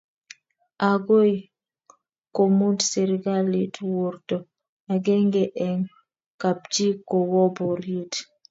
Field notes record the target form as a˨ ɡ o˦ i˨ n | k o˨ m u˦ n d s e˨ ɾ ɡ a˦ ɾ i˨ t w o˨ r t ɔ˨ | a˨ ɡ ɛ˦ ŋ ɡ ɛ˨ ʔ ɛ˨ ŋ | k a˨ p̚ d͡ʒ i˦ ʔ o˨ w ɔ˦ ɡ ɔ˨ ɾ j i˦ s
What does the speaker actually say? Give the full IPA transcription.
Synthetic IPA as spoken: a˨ ɡ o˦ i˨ | k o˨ m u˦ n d s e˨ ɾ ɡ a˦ l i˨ t w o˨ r t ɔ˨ | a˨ ɡ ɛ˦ ŋ ɡ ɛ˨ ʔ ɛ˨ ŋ | k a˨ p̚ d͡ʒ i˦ k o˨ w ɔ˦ b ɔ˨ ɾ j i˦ t